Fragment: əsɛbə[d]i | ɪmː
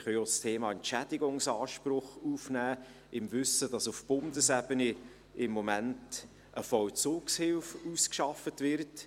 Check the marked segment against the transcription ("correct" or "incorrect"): incorrect